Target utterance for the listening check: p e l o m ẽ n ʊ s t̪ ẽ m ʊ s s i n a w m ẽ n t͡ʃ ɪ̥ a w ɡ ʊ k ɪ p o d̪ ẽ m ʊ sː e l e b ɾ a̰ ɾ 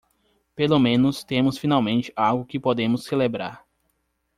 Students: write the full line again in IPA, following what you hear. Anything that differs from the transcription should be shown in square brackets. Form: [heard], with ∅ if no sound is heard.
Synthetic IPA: p e l o m ẽ n ʊ s t̪ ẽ m ʊ s [f] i n a w m ẽ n t͡ʃ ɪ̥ a w ɡ ʊ k ɪ p o d̪ ẽ m ʊ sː e l e b ɾ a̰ ɾ